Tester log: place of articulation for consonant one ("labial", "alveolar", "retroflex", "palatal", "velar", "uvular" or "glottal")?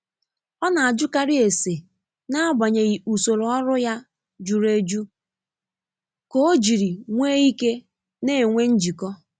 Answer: alveolar